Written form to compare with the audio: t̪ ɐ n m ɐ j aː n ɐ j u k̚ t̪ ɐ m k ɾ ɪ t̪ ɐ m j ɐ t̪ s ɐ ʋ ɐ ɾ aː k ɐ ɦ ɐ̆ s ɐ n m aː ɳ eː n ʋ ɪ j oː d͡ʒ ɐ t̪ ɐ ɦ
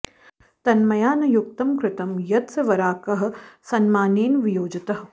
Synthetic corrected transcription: t̪ ɐ n m ɐ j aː n ɐ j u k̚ t̪ ɐ m k ɾ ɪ t̪ ɐ m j ɐ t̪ s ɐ ʋ ɐ ɾ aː k ɐ ɦ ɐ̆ s ɐ n m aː n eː n ʋ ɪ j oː d͡ʒ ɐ t̪ ɐ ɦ